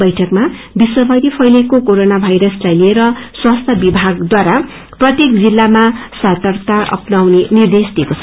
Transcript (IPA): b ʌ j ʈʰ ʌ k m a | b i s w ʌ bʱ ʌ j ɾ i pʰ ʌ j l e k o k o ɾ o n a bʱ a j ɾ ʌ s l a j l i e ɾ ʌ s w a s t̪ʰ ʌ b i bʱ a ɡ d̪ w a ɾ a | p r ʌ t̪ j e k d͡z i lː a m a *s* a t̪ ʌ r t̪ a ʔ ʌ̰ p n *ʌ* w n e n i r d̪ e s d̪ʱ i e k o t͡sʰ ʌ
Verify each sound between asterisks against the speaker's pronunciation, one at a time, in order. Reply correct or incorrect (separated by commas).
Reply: correct, incorrect